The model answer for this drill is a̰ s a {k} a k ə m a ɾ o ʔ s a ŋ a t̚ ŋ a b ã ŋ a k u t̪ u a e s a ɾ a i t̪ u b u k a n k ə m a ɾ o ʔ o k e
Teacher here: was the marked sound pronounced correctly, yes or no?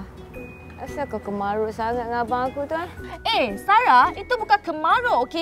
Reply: yes